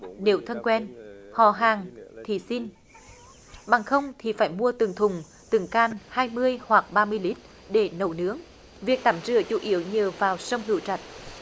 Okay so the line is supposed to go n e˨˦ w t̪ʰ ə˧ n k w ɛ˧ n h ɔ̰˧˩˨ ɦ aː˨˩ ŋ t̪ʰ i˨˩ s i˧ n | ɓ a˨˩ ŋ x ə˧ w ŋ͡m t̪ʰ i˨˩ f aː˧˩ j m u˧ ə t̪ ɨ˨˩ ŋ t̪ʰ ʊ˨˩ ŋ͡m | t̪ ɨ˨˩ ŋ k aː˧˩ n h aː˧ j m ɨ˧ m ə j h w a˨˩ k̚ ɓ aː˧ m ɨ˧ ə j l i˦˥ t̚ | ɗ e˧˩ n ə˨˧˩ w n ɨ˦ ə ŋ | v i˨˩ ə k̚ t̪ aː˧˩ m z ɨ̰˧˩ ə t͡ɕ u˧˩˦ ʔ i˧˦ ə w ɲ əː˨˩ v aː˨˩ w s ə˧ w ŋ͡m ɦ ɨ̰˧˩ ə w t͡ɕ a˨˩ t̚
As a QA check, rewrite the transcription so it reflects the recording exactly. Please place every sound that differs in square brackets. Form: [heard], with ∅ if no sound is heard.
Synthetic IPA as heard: n e˨˦ w t̪ʰ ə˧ n k w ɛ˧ n h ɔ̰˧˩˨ ɦ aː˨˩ ŋ t̪ʰ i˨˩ s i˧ n | ɓ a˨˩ ŋ x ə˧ w ŋ͡m t̪ʰ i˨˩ f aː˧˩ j m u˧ ə t̪ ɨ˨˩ ŋ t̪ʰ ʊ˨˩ ŋ͡m | t̪ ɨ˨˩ ŋ k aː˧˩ n h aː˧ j m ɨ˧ [∅] ə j h w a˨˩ k̚ ɓ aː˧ m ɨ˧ ə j l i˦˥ t̚ | ɗ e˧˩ n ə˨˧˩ w n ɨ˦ ə ŋ | v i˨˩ ə k̚ t̪ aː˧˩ m z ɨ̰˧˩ ə t͡ɕ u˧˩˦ ʔ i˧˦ ə w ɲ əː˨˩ v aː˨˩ w s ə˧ w ŋ͡m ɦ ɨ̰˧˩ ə w t͡ɕ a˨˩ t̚